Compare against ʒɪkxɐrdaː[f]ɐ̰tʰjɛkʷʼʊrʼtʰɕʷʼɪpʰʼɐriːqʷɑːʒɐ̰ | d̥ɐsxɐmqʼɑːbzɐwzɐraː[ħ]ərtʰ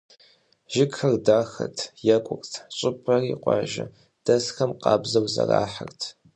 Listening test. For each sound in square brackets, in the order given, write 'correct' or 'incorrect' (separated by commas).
incorrect, correct